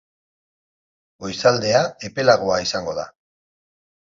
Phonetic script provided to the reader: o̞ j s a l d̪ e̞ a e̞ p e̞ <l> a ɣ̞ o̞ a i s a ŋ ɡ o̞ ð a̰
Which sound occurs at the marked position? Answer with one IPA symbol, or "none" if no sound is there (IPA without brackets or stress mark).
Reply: l